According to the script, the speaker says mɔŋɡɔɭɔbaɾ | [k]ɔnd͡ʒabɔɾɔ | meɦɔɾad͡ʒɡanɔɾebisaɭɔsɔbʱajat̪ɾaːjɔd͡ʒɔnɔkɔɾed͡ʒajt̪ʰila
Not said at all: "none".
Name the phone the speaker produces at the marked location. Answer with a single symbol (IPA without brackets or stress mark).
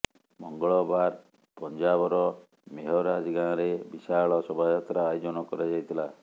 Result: p